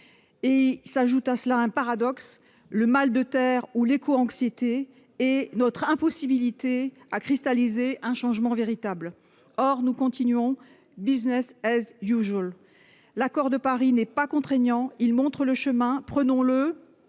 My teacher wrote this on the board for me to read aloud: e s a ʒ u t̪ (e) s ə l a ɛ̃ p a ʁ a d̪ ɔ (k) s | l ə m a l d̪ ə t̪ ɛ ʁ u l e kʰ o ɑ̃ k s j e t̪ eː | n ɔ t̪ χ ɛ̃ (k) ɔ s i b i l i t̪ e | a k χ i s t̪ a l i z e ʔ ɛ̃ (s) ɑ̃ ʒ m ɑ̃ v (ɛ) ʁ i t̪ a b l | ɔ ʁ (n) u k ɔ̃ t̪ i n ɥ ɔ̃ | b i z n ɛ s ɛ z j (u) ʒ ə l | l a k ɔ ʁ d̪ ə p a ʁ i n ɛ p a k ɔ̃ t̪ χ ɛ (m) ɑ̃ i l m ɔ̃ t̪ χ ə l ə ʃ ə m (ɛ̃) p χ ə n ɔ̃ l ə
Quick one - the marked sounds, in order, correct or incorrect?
incorrect, correct, incorrect, incorrect, incorrect, correct, correct, incorrect, correct

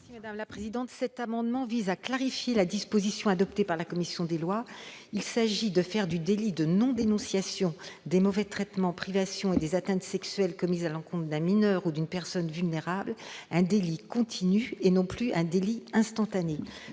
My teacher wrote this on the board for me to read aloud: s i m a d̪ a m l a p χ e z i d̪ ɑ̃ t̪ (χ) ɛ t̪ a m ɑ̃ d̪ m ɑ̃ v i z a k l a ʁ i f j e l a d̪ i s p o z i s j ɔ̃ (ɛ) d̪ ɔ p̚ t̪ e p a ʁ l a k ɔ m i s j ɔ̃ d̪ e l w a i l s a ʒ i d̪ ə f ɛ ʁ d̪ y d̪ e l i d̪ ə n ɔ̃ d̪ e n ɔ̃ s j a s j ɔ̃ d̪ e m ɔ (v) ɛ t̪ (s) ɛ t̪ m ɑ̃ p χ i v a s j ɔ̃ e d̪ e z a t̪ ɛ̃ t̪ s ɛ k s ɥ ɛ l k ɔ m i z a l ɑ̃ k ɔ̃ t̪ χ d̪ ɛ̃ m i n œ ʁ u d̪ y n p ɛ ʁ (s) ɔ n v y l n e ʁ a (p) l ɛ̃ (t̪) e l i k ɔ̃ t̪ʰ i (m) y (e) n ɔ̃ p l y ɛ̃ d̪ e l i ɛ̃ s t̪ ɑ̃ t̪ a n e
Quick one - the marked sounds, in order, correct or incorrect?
incorrect, incorrect, correct, incorrect, correct, incorrect, incorrect, incorrect, correct

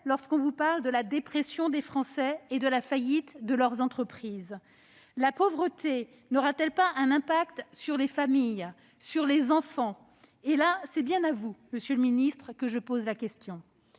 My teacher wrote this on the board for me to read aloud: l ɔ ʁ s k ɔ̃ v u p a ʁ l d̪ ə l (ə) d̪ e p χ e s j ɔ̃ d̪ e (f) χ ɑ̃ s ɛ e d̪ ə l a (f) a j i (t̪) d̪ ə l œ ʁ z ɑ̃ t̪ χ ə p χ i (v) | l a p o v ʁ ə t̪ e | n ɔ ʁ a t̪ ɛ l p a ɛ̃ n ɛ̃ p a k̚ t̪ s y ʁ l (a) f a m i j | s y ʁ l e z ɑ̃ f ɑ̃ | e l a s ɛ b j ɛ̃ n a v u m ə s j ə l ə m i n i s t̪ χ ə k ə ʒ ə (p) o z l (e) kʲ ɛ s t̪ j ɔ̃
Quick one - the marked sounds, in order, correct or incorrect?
incorrect, correct, correct, correct, incorrect, incorrect, correct, incorrect

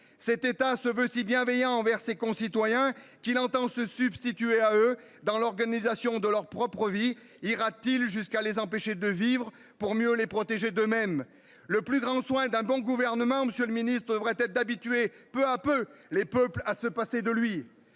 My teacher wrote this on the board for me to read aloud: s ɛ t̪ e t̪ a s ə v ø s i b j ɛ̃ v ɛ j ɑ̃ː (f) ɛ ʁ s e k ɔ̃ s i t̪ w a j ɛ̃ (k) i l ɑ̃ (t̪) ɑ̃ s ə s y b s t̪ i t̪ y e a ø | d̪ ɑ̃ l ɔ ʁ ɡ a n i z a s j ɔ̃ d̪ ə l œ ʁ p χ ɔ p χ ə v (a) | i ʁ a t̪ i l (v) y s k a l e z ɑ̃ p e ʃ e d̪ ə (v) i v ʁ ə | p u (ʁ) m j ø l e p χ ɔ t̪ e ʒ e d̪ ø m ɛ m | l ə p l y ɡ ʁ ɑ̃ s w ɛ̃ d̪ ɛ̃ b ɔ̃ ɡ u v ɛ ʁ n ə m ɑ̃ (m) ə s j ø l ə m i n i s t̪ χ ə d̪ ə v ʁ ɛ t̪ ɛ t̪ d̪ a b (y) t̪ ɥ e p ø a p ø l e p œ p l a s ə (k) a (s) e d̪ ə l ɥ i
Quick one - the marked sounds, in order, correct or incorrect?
incorrect, correct, correct, incorrect, incorrect, correct, correct, correct, incorrect, incorrect, correct

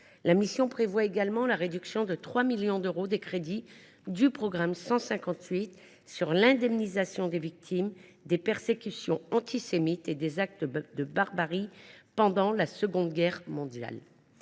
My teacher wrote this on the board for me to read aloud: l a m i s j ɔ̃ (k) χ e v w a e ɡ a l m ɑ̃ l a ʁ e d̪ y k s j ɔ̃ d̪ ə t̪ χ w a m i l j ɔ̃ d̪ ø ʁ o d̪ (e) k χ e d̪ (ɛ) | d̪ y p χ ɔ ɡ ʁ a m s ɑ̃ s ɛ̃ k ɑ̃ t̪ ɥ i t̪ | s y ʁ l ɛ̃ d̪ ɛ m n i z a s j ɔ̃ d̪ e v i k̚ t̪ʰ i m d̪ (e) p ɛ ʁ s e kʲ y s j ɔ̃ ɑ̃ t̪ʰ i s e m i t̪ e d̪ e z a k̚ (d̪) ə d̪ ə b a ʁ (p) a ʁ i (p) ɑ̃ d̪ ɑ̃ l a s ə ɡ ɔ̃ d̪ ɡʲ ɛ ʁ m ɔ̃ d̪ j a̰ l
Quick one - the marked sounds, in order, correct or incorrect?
incorrect, correct, incorrect, correct, incorrect, incorrect, correct

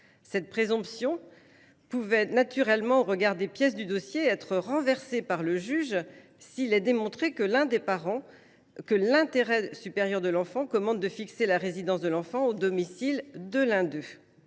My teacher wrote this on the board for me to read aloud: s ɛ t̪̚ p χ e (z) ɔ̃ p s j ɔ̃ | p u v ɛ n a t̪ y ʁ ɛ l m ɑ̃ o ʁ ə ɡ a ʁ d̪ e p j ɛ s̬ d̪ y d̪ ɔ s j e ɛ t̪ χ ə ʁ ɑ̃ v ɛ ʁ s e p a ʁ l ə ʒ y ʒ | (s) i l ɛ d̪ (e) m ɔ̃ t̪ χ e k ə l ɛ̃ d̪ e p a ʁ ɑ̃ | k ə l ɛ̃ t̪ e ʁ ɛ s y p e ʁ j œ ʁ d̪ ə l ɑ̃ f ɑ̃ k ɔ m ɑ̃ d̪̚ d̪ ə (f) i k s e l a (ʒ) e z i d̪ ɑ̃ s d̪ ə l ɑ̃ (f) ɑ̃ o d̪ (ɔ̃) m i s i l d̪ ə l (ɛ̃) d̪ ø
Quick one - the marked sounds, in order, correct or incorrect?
correct, correct, correct, correct, incorrect, correct, incorrect, correct

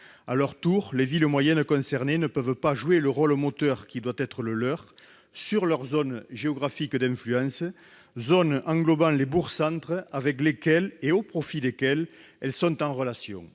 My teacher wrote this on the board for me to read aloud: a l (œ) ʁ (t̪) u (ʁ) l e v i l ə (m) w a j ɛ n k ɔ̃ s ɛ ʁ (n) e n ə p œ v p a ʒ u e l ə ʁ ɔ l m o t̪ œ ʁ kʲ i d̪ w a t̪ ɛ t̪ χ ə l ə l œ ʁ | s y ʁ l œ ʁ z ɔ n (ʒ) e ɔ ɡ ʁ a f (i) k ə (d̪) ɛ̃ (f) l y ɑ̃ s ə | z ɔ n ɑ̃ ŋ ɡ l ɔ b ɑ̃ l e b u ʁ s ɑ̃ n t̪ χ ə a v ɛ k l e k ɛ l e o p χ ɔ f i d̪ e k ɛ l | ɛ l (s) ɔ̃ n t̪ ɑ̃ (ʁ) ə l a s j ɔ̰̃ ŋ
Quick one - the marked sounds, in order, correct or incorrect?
correct, correct, correct, correct, correct, correct, correct, correct, correct, correct, correct

